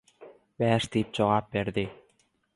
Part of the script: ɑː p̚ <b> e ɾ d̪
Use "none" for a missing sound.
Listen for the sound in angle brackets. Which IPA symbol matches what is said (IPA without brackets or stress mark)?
b